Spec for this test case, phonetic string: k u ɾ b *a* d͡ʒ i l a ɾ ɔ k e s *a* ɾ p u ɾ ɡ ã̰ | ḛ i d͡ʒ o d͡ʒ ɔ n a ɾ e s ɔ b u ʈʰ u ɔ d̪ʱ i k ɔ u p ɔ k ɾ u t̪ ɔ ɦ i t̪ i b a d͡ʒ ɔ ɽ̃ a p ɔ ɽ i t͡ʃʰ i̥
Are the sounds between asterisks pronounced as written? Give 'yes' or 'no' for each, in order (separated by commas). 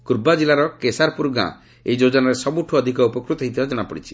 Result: yes, yes